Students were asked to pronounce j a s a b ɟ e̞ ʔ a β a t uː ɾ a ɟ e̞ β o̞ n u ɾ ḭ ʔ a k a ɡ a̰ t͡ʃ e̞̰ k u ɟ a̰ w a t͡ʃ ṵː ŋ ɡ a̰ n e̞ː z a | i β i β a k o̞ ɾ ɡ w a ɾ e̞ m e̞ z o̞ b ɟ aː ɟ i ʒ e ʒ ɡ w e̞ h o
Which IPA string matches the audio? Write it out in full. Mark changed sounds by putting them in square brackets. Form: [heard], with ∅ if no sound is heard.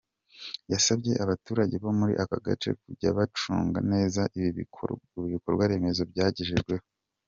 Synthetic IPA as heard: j a s a b ɟ e̞ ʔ a β a t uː ɾ a ɟ e̞ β o̞ [m] u ɾ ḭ ʔ a k a ɡ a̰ t͡ʃ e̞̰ k u ɟ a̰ [β] a t͡ʃ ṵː ŋ ɡ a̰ n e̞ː z a | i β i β [i] k o̞ ɾ ɡ w a ɾ e̞ m e̞ z o̞ b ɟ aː ɟ i ʒ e ʒ ɡ w e̞ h o